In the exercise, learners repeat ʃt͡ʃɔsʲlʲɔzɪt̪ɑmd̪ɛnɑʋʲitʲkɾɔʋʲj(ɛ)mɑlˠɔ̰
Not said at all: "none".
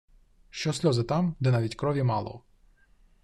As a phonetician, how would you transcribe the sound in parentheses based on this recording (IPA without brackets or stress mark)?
i